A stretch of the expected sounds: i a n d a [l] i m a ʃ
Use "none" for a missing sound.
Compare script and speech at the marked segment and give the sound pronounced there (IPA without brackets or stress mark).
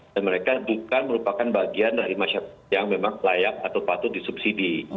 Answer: ɾ